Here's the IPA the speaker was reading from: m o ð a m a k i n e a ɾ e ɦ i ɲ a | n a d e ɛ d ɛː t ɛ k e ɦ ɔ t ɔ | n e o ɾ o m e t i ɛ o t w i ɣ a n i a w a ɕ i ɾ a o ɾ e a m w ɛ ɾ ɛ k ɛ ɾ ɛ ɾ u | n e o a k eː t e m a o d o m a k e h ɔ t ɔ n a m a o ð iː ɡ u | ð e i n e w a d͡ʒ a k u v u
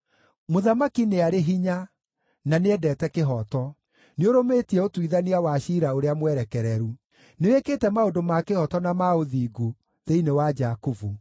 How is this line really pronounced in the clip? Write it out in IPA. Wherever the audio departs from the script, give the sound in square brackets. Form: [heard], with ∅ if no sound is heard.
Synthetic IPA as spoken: m o ð a m a k i n e a ɾ e ɦ i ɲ a | n a [n] e ɛ d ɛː t ɛ k e ɦ ɔ t ɔ | n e o ɾ o m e t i ɛ o t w i [ð] a n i a w a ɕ i ɾ a o ɾ e a m w ɛ ɾ ɛ k ɛ ɾ ɛ ɾ u | n e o [e] k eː t [ɛ] m a o d o m a k e h ɔ t ɔ n a m a o ð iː ɡ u | ð e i n e w a d͡ʒ a k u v u